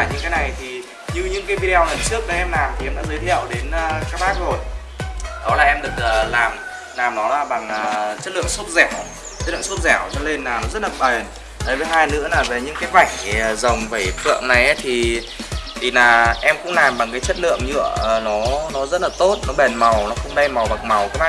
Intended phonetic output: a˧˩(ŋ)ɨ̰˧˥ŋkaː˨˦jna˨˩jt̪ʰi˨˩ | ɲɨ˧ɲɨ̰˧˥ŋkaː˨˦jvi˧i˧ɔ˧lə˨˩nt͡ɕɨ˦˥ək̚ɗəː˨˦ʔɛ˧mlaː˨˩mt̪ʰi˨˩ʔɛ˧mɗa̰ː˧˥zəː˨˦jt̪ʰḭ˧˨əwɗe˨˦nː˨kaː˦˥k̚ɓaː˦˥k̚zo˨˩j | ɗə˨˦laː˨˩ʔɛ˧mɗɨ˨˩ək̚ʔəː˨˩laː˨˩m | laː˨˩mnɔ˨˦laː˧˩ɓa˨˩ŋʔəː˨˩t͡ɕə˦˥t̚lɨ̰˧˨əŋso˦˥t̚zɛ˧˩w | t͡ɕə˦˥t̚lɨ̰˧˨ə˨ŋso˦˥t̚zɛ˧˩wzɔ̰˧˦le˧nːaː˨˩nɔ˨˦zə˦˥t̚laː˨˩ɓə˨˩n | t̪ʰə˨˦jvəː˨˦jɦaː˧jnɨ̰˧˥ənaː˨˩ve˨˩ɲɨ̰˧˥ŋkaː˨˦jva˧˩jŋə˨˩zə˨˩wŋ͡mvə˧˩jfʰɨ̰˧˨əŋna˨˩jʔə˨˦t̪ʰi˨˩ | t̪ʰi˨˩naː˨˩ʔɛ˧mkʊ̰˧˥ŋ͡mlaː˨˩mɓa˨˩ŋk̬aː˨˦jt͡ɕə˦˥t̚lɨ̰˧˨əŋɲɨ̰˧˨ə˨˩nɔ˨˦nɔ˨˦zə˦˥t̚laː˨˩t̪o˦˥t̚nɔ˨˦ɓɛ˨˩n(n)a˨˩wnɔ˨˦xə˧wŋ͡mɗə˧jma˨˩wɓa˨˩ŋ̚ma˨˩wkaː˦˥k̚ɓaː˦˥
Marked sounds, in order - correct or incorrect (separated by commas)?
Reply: incorrect, incorrect